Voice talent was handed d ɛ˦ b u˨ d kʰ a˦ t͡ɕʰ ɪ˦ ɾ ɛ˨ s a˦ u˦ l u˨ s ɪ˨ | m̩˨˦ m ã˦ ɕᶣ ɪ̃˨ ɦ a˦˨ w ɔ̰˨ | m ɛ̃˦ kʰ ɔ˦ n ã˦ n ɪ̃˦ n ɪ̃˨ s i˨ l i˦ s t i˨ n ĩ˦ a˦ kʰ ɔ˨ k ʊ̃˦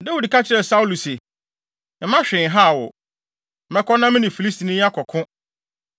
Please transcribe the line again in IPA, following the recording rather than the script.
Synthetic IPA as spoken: d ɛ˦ w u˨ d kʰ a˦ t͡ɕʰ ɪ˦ ɾ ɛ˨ s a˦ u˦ l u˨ s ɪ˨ | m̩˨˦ m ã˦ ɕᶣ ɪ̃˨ ɦ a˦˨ w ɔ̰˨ | m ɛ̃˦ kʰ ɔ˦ n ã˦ m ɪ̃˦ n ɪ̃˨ f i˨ l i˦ s t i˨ n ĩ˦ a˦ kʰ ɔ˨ kʰ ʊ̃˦

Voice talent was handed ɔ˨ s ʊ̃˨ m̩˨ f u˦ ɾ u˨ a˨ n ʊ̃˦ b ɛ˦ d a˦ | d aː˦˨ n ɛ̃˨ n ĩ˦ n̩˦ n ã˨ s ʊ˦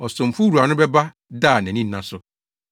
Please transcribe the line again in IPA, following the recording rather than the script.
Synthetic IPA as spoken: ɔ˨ s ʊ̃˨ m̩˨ f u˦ ɾ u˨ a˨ n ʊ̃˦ b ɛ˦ b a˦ | d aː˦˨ n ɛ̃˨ n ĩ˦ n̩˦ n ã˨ s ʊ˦

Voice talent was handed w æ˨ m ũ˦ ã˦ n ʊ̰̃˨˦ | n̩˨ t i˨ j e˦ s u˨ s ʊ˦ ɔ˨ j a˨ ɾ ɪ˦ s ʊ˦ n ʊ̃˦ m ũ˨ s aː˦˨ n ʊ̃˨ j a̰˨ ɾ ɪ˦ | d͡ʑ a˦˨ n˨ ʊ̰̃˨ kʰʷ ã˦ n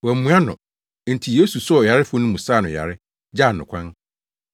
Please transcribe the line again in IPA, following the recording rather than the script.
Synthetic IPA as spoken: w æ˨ m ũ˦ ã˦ n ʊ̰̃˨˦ | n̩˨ tʰ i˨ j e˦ s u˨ s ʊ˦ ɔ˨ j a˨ ɾ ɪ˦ f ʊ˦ n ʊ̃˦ m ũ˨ s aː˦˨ n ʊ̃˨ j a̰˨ ɾ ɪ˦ | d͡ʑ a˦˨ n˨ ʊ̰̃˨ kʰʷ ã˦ n

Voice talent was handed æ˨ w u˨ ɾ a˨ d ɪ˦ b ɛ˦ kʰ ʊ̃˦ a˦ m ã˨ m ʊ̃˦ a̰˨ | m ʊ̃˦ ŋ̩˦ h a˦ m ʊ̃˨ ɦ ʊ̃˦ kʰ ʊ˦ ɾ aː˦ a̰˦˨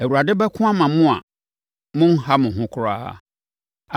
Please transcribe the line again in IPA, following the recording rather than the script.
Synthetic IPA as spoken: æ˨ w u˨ ɾ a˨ d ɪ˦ b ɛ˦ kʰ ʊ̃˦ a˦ m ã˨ m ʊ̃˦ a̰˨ | m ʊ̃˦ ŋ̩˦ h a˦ m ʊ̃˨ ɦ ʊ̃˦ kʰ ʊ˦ ɾ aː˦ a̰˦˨

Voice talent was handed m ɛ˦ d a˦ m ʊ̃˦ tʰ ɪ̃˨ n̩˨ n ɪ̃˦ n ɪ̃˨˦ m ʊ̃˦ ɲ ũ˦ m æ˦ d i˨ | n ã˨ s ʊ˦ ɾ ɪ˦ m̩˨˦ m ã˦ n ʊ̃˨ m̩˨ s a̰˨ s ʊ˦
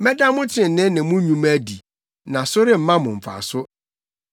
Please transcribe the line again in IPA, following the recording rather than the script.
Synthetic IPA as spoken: m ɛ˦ d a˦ m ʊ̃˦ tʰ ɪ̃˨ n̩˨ n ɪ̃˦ n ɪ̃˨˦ m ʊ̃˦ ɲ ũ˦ m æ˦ d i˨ | n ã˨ s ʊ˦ ɾ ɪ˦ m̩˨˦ m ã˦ m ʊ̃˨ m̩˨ f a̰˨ s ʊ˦

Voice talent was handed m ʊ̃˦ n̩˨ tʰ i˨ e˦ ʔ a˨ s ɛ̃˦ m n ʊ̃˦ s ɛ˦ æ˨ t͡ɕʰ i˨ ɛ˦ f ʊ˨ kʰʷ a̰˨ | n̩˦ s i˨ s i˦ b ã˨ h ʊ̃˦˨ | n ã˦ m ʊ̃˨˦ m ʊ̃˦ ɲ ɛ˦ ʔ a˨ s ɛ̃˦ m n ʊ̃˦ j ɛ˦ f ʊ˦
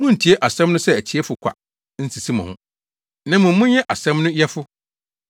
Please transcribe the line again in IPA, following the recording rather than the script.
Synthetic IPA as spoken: m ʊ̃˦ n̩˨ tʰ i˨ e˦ ʔ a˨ s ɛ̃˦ m n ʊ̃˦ s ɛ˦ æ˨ t͡ɕʰ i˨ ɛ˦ f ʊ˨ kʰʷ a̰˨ | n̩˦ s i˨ s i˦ m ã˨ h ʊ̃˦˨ | n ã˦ m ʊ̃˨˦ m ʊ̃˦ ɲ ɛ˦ ʔ a˨ s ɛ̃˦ m n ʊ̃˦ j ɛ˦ f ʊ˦

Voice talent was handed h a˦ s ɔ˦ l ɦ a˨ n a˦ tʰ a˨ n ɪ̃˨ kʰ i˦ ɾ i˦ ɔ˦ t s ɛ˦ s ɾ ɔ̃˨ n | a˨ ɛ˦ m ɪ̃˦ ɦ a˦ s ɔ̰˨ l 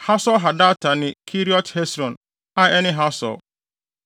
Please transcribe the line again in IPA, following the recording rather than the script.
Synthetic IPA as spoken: h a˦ s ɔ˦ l ɦ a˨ d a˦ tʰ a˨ n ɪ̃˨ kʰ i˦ ɾ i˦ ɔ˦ t h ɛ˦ s ɾ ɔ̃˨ n | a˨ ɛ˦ n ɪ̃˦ ɦ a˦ s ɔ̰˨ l

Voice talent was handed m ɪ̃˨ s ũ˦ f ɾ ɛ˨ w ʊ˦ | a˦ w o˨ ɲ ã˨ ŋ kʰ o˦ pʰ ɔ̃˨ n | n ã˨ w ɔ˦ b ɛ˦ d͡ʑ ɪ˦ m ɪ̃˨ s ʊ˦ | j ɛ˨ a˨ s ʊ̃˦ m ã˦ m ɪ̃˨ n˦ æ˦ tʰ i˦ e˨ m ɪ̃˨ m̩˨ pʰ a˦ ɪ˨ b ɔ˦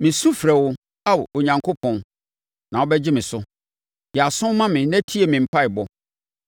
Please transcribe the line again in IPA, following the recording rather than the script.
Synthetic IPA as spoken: m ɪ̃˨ s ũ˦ f ɾ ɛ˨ w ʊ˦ | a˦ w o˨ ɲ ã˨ ŋ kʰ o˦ pʰ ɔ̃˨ n | n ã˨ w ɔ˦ b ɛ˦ d͡ʑ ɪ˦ m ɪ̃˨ s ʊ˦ | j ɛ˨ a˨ s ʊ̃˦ m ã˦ m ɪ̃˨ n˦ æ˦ tʰ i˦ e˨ m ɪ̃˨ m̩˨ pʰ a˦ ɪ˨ b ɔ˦

